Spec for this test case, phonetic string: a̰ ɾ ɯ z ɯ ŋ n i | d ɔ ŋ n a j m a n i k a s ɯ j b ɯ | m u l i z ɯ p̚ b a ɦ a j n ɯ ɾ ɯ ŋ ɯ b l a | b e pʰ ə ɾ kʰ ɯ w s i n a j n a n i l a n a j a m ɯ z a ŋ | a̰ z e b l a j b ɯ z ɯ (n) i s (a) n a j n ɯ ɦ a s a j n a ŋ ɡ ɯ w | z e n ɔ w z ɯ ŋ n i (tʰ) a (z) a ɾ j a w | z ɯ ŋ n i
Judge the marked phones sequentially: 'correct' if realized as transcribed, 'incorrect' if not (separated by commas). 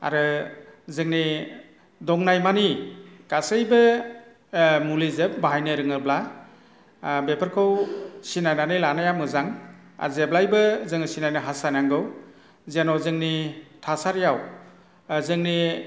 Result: incorrect, incorrect, correct, incorrect